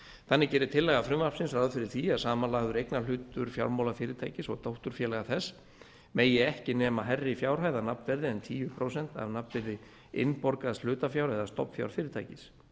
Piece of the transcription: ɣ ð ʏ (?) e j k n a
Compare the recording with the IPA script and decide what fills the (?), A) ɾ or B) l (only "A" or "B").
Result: A